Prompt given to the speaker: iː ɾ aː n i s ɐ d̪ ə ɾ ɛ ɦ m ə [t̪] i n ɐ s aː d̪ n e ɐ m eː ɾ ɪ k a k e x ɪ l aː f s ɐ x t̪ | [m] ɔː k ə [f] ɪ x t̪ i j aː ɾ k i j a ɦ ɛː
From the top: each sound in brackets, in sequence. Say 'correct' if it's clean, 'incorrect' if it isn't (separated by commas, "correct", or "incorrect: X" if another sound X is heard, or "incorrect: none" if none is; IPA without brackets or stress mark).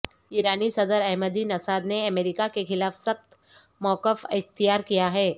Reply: incorrect: d̪, correct, correct